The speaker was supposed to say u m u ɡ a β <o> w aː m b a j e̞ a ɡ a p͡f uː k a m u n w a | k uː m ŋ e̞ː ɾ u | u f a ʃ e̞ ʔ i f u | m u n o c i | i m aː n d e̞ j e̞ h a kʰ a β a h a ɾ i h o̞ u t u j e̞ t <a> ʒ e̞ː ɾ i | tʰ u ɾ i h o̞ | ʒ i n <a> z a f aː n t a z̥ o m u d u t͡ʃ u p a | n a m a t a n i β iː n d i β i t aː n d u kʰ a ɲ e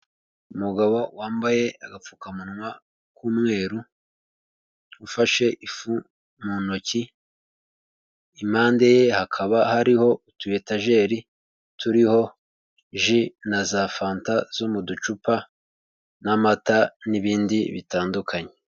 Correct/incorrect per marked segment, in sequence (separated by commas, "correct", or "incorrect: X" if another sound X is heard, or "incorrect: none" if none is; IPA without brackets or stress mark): correct, correct, correct